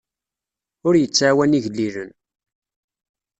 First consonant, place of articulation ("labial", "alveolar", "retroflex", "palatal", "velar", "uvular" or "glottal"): alveolar